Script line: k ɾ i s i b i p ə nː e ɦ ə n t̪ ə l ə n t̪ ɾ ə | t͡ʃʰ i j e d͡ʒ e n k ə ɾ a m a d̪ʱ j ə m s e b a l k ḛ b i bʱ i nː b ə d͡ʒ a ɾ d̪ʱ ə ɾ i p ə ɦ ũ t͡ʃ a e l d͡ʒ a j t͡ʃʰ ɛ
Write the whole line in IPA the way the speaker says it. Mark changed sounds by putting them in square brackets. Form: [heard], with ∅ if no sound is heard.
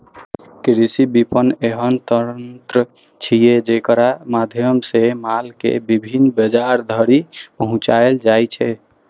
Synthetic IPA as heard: k ɾ i s i b i p ə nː e ɦ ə n t̪ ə [ɾ] ə n t̪ ɾ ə | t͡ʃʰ i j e d͡ʒ e [∅] k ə ɾ a m a d̪ʱ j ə m s e [m] a l k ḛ b i bʱ i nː b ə d͡ʒ a ɾ d̪ʱ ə ɾ i p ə ɦ ũ t͡ʃ a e l d͡ʒ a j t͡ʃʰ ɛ